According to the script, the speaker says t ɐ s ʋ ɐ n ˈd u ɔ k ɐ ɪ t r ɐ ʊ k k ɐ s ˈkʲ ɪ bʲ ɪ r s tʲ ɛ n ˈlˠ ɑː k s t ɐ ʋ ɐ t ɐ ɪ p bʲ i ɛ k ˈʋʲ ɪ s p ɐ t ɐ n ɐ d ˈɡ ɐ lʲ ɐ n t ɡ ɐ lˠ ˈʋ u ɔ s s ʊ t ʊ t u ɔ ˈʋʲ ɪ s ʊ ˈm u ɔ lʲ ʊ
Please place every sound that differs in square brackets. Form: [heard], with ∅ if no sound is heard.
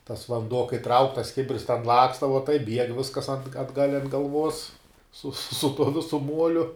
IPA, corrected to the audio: t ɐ s ʋ ɐ n ˈd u ɔ k ɐ ɪ t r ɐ ʊ k [t] ɐ s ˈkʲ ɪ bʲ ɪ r s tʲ ɛ n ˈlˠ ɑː k s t ɐ ʋ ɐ t ɐ ɪ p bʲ i ɛ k ˈʋʲ ɪ s [k] ɐ [s] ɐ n ɐ d ˈɡ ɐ lʲ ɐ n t ɡ ɐ lˠ ˈʋ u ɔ s s ʊ [s] ʊ t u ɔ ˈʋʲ ɪ s ʊ ˈm u ɔ lʲ ʊ